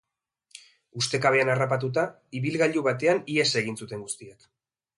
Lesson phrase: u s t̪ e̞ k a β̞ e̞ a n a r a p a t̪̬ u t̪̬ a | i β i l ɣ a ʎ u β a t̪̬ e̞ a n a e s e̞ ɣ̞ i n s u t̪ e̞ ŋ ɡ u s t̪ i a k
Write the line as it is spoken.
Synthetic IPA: u s t̪ e̞ k a β̞ e̞ a n a r a p a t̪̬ u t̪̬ a | i β i l ɣ a ʎ u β a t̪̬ e̞ a n i e s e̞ ɣ̞ i n s u t̪ e̞ ŋ ɡ u s t̪ i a k